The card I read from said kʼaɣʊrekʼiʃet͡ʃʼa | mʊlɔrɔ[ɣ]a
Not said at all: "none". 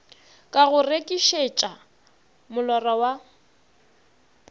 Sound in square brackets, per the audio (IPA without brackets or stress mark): w